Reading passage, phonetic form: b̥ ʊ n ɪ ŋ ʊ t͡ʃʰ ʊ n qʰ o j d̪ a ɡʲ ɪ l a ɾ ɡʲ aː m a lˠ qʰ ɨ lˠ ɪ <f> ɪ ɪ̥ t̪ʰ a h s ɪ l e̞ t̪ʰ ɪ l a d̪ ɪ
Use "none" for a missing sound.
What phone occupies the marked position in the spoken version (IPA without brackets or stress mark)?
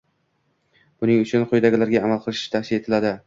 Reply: ʃ